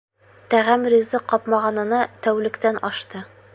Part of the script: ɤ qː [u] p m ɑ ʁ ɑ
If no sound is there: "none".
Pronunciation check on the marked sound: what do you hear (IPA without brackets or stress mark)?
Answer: ɒ